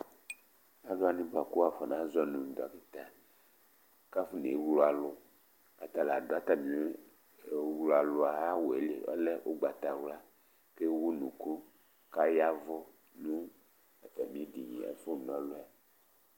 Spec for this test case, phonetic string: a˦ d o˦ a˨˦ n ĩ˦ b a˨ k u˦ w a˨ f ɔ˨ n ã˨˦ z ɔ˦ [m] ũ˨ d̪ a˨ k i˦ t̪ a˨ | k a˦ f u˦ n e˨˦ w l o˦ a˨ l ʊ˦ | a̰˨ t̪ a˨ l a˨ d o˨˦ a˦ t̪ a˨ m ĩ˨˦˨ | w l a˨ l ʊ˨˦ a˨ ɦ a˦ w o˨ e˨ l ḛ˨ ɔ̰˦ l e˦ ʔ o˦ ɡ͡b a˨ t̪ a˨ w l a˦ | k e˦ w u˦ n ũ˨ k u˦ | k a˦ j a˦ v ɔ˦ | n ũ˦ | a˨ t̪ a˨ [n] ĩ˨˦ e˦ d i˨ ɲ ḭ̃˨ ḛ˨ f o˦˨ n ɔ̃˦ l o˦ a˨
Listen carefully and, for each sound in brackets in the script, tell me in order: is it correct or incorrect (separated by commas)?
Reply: incorrect, incorrect